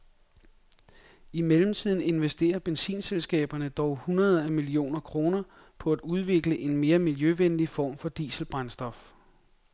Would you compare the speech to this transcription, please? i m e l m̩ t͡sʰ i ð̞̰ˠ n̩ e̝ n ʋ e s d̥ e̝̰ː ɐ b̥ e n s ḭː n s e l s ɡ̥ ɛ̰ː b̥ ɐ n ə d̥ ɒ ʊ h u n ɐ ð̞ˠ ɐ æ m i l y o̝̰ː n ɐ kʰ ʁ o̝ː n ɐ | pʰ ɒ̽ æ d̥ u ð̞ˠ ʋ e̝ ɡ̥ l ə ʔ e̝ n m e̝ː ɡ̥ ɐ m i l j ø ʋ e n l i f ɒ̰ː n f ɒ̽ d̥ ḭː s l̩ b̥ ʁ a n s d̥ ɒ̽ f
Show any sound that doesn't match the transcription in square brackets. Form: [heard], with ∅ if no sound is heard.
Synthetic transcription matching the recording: i m e l m̩ t͡sʰ i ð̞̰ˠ n̩ e̝ n ʋ e s d̥ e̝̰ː ɐ b̥ e n s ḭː n s e l s ɡ̥ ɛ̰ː b̥ ɐ n ə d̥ ɒ ʊ h u n ɐ ð̞ˠ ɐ æ m i l [i] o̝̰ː n ɐ kʰ ʁ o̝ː n ɐ | pʰ ɒ̽ æ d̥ u ð̞ˠ ʋ e̝ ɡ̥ l ə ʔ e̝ n m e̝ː [∅] ɐ m i l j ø ʋ e n l i f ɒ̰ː [m] f ɒ̽ d̥ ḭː s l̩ b̥ ʁ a n s d̥ ɒ̽ f

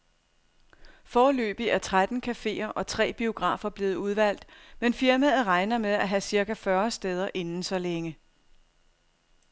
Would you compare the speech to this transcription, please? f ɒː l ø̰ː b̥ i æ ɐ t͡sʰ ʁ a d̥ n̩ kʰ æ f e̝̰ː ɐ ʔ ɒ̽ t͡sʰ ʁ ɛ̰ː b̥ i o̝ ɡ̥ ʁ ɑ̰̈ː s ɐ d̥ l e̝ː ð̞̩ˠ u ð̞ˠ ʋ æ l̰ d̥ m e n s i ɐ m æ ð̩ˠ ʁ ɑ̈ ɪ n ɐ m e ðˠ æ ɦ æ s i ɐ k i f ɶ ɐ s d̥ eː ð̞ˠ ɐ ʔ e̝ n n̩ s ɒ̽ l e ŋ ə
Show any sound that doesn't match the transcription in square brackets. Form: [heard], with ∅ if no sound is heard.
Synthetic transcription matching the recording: f ɒː l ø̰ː b̥ i æ ɐ t͡sʰ ʁ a d̥ n̩ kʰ æ f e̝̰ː ɐ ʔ ɒ̽ t͡sʰ ʁ ɛ̰ː b̥ i o̝ ɡ̥ ʁ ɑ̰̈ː [f] ɐ [b̥] l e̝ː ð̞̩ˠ u ð̞ˠ ʋ æ l̰ d̥ m e n [f] i ɐ m æ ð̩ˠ ʁ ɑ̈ ɪ n ɐ m e ðˠ æ ɦ æ s i ɐ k [æ] f ɶ ɐ s d̥ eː ð̞ˠ ɐ ʔ e̝ n n̩ s ɒ̽ l e ŋ ə

